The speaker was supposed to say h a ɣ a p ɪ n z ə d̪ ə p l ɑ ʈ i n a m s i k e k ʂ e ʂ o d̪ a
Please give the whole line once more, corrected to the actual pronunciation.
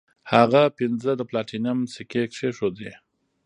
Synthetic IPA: h a ɣ a p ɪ n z ə d̪ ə p l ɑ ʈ i n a m s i k e k ʂ e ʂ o d̪ e